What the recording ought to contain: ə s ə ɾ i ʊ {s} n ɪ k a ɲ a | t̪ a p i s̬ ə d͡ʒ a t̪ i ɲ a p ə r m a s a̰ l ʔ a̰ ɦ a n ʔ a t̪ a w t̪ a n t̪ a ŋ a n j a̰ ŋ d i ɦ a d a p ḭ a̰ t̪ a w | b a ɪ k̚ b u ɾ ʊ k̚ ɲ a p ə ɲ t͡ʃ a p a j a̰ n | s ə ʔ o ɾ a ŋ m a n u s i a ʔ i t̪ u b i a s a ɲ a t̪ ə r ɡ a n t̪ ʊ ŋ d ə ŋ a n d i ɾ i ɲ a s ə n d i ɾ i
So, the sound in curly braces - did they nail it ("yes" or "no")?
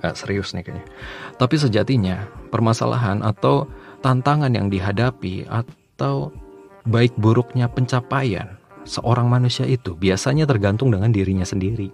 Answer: yes